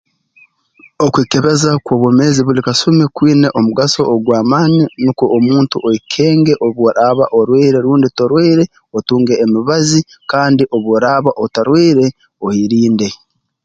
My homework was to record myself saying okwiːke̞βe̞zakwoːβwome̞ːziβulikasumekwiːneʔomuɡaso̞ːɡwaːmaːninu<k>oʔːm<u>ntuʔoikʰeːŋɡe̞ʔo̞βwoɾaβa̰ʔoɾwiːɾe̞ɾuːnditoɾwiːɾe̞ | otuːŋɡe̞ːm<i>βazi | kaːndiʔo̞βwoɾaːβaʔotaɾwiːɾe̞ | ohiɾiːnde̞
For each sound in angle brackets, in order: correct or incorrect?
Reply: correct, incorrect: uː, correct

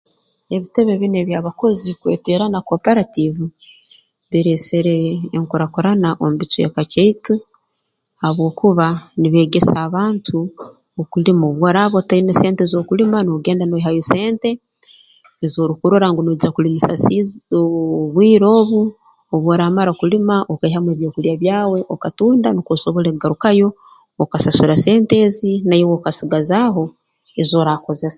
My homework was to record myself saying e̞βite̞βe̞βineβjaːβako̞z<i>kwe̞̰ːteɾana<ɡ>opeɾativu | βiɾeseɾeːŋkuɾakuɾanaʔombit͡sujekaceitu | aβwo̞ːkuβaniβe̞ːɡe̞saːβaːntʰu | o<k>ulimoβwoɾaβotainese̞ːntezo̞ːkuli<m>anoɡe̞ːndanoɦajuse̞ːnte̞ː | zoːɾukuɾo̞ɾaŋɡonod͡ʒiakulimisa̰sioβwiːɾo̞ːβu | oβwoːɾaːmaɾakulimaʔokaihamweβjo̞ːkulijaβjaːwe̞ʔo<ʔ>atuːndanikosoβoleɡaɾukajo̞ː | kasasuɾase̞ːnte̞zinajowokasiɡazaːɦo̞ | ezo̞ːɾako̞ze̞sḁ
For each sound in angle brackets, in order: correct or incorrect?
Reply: correct, incorrect: k, correct, correct, incorrect: k

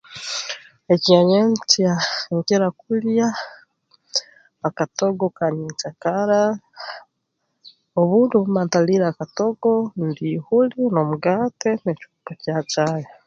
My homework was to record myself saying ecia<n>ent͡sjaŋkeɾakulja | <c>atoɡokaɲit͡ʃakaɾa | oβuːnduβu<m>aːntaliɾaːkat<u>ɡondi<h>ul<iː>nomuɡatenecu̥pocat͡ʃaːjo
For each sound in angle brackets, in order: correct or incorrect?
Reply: incorrect: ɲ, incorrect: k, correct, incorrect: o, correct, incorrect: i

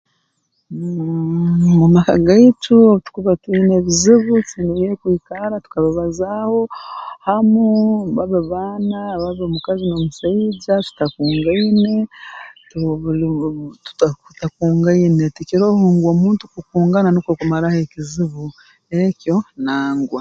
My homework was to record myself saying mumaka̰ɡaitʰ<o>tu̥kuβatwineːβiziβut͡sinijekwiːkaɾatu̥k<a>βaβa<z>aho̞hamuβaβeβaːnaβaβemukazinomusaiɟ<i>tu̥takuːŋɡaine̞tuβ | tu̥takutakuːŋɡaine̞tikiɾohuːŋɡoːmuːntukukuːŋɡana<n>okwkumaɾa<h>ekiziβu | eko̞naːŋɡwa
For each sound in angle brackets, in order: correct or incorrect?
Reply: incorrect: u, correct, correct, incorrect: a, correct, correct

